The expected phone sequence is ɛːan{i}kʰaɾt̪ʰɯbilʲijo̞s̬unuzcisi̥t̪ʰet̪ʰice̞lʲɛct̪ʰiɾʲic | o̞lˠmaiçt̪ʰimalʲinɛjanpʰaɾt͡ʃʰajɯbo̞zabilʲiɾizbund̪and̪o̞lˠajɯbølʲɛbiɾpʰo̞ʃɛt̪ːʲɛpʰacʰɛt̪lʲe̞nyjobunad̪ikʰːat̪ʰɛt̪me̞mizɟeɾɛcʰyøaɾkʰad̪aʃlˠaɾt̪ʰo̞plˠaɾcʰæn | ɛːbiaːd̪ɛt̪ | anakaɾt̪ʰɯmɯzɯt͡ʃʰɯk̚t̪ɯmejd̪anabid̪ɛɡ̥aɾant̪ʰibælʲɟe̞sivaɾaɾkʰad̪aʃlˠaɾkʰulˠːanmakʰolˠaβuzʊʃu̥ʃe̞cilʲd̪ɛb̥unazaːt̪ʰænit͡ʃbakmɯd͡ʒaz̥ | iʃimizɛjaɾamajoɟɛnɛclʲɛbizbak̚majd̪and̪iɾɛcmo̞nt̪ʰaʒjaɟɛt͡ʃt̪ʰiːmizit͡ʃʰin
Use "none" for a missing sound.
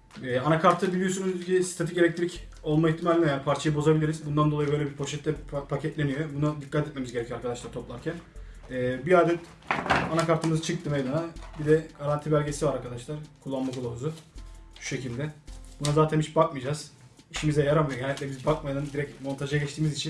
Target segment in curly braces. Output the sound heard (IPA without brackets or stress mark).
a